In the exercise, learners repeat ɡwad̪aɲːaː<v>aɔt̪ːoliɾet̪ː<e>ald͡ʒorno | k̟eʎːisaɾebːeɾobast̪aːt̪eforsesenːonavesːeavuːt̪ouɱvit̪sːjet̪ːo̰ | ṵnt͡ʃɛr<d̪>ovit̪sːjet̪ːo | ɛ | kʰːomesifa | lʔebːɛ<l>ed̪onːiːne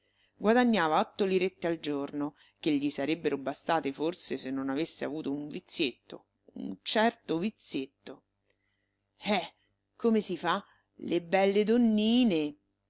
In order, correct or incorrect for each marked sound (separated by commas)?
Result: correct, correct, incorrect, incorrect